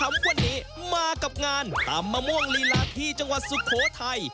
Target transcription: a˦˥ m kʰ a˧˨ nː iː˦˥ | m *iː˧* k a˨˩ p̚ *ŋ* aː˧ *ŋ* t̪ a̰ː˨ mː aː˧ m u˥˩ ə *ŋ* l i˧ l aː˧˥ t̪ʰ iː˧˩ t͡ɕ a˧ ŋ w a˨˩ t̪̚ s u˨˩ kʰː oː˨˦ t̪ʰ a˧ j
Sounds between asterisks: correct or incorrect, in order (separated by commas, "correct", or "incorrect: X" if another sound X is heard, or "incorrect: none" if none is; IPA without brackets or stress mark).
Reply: incorrect: aː˧, correct, incorrect: n, correct